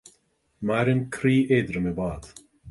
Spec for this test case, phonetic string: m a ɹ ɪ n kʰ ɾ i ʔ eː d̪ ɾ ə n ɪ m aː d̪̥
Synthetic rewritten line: m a ɾ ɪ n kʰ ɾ iː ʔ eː d̪ ɾ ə m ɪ b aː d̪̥